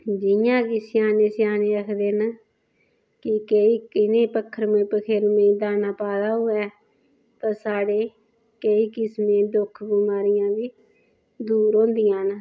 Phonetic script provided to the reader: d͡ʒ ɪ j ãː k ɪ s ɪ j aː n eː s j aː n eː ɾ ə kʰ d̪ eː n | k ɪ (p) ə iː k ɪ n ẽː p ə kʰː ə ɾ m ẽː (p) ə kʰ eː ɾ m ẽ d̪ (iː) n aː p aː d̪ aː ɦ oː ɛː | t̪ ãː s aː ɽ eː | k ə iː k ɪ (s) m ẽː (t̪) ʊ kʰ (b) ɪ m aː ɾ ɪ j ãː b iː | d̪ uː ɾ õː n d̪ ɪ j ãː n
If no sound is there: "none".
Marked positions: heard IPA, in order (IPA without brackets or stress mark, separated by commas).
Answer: k, p, aː, s, d̪, b